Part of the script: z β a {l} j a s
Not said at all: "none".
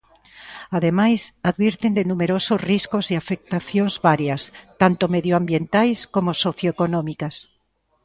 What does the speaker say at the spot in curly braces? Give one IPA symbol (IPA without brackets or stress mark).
ɾ